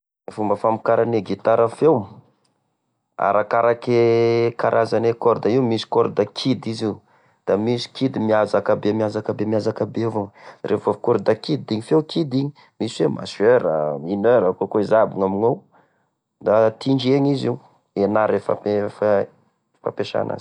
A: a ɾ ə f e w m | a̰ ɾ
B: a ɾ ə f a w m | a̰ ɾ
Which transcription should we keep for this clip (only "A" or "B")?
A